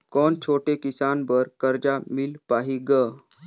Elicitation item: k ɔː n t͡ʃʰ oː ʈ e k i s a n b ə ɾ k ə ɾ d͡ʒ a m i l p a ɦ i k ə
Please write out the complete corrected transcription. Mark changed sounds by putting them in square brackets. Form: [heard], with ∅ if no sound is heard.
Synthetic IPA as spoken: k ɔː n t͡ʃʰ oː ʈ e k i s a n b ə ɾ k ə ɾ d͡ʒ a m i l p a ɦ i [ɡ] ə